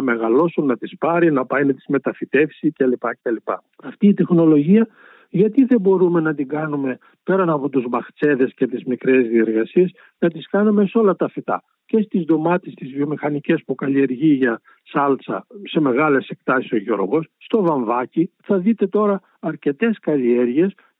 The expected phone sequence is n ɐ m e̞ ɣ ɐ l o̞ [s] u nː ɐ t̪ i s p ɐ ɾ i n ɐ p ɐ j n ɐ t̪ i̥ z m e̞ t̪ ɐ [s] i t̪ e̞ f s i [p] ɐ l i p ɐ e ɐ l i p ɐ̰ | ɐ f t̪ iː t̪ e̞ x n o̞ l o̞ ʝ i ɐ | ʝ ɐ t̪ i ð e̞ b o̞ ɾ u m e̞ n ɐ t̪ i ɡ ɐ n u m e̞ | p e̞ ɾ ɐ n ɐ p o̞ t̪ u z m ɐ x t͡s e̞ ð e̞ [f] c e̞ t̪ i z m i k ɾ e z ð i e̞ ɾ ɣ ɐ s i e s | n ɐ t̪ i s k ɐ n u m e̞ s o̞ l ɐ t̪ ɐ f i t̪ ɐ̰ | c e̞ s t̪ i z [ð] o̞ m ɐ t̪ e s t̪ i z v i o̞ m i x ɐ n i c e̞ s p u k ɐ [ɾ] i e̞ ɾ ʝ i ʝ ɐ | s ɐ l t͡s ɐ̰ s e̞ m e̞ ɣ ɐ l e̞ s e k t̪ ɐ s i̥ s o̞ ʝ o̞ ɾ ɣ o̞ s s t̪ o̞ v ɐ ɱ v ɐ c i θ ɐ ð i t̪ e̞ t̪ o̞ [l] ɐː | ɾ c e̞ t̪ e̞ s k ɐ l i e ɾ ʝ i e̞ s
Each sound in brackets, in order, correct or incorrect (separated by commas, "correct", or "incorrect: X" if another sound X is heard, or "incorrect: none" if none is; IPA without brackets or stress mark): correct, incorrect: f, incorrect: c, incorrect: s, correct, incorrect: l, incorrect: ɾ